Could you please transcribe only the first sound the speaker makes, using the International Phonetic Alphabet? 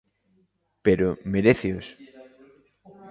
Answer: p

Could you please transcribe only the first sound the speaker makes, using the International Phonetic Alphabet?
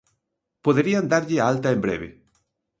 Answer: p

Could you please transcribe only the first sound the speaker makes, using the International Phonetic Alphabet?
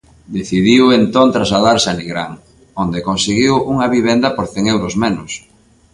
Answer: d̪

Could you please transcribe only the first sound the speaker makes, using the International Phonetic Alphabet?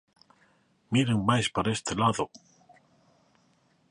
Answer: m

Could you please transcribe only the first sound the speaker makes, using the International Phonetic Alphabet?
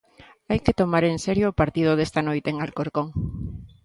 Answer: a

